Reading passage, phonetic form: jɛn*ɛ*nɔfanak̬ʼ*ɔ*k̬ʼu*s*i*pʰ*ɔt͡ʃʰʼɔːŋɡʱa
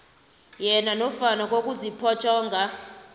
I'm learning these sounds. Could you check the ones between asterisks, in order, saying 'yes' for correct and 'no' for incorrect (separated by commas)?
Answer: no, no, no, yes